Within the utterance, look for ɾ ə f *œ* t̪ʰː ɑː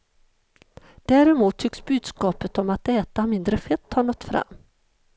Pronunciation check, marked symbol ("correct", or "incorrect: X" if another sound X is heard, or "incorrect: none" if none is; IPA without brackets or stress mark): incorrect: ɛ